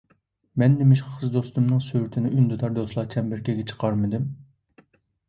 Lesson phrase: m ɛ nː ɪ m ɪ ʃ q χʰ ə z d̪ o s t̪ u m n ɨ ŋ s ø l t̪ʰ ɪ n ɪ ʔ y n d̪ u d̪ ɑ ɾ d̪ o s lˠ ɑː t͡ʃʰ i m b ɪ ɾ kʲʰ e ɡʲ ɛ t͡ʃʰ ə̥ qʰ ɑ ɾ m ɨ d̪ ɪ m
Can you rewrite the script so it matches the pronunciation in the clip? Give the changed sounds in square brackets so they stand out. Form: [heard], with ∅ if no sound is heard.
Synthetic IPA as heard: m ɛ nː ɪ m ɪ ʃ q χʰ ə z d̪ o s t̪ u m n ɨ ŋ s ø [ɾ] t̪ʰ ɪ n ɪ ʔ y n d̪ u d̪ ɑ ɾ d̪ o s lˠ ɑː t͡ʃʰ [ɛ] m b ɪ ɾ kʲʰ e ɡʲ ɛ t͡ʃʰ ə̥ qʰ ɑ ɾ m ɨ d̪ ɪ m